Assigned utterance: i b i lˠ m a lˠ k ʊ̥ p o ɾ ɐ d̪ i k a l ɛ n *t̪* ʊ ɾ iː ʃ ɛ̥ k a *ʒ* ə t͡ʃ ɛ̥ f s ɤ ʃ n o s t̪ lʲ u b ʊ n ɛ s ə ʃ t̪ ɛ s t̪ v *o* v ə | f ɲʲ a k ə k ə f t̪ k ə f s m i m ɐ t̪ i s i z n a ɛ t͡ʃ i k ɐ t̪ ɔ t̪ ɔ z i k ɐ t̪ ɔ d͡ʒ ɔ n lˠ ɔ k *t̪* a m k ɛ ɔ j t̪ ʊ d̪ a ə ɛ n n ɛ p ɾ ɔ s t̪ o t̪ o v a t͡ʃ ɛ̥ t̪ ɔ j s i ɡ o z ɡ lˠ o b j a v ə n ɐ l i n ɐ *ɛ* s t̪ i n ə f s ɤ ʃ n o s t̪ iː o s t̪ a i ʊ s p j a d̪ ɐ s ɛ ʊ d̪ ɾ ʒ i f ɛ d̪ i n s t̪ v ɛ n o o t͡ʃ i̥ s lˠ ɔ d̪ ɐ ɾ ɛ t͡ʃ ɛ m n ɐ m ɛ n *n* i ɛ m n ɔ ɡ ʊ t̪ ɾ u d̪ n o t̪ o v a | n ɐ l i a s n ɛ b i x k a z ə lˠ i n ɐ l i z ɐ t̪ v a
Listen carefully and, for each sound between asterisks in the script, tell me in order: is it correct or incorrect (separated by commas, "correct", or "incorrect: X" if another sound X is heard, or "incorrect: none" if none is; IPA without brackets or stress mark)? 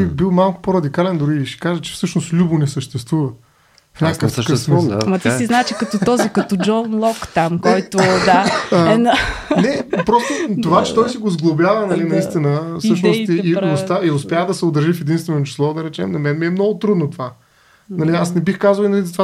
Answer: incorrect: d̪, correct, incorrect: u, correct, incorrect: i, incorrect: m